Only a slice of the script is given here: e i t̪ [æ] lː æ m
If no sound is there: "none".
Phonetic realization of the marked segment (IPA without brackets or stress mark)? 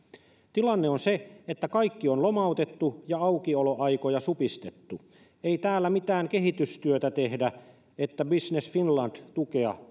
æː